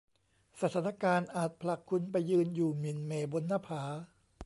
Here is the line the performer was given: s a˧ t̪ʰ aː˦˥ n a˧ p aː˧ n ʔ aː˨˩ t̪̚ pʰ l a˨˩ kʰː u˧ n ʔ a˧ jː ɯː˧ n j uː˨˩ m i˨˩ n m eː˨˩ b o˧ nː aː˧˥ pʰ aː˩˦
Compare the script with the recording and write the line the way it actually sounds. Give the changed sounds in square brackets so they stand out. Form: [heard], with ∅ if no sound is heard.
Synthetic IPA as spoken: s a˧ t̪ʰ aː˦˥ n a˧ [k] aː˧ n ʔ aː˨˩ t̪̚ pʰ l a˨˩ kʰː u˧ n [p] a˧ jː ɯː˧ n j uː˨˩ m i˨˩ n m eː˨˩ b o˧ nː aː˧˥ pʰ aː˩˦